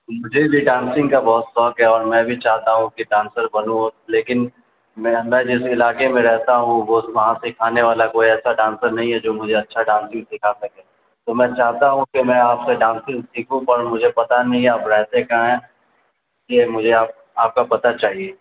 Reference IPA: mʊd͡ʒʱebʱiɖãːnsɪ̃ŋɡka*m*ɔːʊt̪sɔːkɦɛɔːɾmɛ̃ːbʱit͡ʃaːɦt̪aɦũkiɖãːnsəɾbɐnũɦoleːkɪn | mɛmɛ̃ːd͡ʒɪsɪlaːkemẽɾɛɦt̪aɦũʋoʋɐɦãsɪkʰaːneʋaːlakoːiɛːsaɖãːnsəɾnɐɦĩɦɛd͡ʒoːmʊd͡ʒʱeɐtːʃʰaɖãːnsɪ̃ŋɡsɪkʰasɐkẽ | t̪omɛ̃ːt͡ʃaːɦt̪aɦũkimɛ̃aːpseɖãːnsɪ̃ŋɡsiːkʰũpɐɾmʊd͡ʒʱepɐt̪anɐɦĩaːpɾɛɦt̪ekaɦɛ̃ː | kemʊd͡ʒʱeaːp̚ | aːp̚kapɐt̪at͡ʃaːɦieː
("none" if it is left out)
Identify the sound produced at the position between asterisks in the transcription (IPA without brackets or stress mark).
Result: b